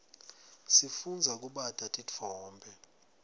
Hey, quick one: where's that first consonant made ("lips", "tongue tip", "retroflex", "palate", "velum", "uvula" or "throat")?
tongue tip